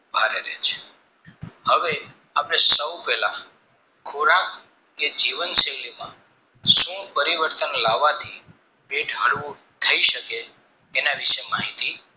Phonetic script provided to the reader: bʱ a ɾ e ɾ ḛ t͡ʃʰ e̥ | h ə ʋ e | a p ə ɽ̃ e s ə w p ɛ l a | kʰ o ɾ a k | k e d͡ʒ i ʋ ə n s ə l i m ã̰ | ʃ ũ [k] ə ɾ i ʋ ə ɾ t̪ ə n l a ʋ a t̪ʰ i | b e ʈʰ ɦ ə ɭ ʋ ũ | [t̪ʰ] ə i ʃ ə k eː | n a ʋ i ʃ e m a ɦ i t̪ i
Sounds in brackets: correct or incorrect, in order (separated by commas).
incorrect, correct